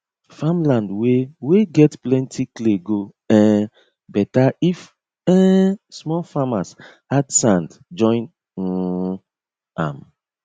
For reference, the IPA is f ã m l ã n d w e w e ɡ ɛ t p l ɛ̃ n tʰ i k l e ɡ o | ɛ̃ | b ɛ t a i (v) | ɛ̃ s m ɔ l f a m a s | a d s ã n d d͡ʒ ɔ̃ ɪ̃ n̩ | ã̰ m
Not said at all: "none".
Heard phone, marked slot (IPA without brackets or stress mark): f